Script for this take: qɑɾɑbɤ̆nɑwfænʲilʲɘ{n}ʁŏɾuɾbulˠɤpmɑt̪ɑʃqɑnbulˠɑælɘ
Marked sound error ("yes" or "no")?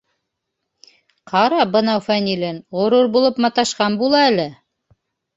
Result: no